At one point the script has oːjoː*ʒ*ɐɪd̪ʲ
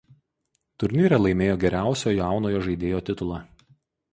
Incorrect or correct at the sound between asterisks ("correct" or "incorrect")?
correct